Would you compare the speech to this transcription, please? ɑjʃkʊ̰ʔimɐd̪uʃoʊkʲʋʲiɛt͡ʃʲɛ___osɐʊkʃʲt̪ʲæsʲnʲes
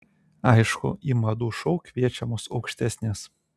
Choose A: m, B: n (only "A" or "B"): A